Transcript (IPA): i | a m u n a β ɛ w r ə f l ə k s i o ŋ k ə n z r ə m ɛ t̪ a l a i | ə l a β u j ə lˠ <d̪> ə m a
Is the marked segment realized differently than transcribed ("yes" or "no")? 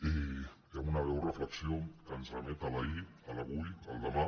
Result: no